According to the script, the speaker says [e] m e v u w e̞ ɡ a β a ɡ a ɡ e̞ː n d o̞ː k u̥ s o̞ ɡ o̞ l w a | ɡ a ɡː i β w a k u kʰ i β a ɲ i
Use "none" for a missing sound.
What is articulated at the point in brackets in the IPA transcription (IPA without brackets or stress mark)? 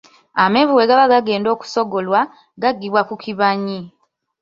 a